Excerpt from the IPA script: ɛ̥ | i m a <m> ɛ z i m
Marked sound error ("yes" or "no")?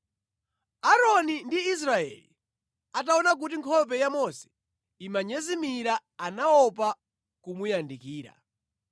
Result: yes